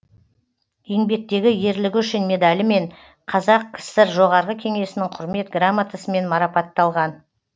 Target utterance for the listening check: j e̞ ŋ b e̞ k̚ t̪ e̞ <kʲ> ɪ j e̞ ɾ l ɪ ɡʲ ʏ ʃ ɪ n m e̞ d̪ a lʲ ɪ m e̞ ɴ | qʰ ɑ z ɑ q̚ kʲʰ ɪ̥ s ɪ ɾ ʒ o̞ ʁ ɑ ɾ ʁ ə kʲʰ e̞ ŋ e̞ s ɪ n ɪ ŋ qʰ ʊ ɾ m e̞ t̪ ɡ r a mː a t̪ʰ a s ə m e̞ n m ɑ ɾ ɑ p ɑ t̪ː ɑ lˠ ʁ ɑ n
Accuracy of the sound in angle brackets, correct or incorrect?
incorrect: ɡʲ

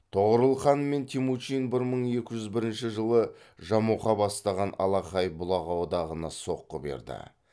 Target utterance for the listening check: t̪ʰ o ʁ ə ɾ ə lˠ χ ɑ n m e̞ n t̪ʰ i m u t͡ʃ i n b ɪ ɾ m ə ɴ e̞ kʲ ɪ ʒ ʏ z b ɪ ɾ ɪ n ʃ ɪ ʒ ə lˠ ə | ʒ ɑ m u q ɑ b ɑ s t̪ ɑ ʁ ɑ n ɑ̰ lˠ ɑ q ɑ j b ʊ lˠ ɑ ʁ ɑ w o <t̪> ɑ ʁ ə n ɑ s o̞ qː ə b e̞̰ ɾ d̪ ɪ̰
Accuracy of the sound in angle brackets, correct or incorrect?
incorrect: d̪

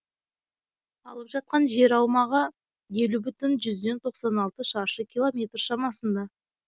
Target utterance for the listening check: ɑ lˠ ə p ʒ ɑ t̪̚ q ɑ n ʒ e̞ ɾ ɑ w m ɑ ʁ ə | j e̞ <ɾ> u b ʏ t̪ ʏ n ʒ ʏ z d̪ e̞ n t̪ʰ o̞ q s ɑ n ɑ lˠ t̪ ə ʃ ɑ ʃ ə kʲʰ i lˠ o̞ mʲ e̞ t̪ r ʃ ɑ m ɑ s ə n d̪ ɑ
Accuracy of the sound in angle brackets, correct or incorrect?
incorrect: l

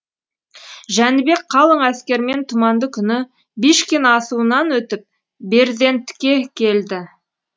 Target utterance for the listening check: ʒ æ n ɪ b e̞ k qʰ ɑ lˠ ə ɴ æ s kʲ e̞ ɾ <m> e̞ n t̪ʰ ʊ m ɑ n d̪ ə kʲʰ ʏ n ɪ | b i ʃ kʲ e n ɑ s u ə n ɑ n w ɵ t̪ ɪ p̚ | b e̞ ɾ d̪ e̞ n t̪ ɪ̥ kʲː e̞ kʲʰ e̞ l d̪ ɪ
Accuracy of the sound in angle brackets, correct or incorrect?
correct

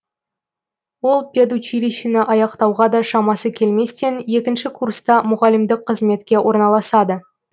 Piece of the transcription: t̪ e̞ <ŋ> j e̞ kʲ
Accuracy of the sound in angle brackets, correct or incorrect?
incorrect: n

